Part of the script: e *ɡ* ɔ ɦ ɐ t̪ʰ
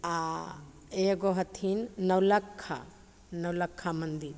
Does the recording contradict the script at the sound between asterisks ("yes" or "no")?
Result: no